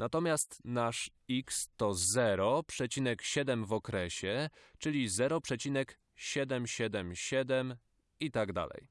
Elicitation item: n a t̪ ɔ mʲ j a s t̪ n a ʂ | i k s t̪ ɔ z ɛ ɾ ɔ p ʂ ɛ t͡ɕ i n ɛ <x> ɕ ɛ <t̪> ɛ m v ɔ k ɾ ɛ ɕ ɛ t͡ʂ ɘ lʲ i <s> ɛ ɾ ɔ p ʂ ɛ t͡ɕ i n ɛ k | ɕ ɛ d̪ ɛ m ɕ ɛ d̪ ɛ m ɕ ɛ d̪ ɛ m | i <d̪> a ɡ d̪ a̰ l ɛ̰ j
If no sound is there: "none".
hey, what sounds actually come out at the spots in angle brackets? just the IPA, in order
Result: k, d̪, z, t̪

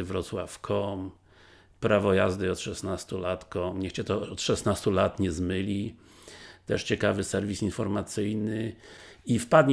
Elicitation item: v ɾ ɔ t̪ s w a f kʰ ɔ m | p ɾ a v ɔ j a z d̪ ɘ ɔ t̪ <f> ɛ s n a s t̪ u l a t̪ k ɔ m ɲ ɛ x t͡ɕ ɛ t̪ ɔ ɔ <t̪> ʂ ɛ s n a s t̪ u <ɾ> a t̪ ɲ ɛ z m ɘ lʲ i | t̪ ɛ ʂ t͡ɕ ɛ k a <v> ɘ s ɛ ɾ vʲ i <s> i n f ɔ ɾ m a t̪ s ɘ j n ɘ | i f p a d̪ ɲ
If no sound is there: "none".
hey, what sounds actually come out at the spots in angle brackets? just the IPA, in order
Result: ʂ, t̪, l, v, s

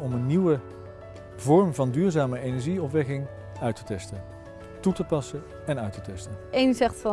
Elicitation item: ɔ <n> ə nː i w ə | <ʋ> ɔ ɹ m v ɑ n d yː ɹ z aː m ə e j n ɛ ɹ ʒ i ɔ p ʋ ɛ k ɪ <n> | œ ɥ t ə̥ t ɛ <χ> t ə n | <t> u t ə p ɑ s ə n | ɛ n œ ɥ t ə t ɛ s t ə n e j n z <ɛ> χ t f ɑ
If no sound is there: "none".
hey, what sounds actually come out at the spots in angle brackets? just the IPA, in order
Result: m, v, ŋ, s, t, ɛ

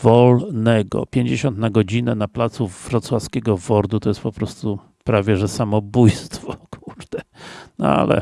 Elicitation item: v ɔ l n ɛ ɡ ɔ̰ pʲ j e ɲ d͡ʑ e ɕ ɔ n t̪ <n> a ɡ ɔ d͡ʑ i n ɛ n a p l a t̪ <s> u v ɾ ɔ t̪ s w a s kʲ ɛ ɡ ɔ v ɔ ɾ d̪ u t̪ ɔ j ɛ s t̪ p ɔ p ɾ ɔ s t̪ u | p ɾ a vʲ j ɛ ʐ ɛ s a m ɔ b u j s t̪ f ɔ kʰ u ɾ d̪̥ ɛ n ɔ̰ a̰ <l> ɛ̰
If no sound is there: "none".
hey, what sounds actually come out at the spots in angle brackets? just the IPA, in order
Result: n, s, l

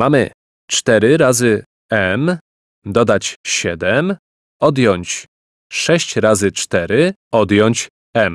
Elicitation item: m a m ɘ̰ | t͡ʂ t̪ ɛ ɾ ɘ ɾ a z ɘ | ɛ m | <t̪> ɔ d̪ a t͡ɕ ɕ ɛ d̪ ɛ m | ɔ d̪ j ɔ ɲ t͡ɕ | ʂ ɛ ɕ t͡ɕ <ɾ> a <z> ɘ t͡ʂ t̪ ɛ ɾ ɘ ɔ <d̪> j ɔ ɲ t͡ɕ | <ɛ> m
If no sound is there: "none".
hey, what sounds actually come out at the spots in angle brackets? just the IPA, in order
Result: d̪, ɾ, z, d̪, ɛ

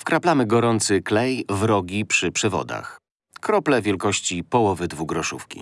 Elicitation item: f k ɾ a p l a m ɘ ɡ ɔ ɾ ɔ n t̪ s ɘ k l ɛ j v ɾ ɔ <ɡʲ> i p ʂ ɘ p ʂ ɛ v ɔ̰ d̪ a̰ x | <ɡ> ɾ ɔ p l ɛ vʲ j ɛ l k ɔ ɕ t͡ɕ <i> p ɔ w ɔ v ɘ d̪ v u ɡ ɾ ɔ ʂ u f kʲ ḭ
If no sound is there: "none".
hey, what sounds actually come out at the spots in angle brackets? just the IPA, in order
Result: ɡʲ, k, i

